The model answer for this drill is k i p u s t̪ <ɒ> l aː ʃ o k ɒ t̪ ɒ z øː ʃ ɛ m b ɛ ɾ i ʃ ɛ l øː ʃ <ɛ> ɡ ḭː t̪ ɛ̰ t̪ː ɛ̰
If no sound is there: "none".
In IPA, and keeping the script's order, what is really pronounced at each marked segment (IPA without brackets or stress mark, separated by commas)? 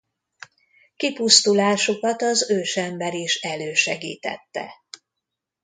u, ɛ